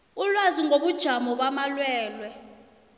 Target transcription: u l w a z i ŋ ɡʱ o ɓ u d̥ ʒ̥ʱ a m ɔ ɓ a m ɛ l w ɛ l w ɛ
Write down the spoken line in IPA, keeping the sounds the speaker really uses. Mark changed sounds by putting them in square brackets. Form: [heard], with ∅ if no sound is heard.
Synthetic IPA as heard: u l w a z i ŋ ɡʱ o ɓ u d̥ ʒ̥ʱ a m ɔ ɓ a m [a] l w [ɛː] l w ɛ